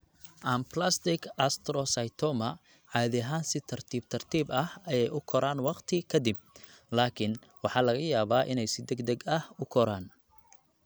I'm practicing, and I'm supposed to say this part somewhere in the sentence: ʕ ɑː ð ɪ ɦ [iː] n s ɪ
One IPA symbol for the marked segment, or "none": aː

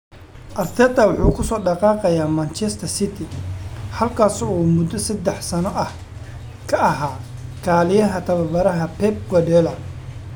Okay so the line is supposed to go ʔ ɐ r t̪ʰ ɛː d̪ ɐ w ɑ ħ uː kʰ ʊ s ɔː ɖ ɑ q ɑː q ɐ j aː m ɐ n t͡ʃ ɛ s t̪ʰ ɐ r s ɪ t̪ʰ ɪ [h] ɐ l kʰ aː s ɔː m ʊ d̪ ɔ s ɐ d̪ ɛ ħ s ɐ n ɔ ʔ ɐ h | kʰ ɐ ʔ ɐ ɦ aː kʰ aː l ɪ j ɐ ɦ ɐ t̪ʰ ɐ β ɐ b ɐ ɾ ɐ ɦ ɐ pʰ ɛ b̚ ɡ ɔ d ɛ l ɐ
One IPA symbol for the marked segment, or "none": h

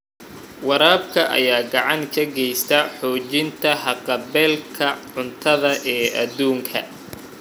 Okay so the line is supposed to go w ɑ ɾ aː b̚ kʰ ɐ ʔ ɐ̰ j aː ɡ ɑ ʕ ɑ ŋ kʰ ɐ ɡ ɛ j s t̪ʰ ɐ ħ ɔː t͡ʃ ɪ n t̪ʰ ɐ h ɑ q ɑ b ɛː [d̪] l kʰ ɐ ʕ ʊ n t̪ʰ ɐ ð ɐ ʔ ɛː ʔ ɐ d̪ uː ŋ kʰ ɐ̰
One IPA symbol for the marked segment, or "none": none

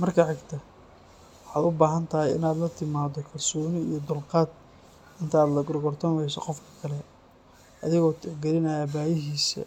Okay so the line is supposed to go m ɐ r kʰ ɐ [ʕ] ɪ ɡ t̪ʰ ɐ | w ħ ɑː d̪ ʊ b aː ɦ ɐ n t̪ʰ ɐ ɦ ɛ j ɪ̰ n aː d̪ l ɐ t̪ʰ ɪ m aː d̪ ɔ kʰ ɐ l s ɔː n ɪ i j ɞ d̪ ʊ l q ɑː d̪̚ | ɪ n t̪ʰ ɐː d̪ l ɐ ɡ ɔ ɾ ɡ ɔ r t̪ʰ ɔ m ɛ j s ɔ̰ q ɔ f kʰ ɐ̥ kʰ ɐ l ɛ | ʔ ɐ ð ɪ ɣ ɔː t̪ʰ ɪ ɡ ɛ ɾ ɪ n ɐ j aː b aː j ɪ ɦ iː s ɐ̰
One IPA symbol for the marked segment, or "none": ʕ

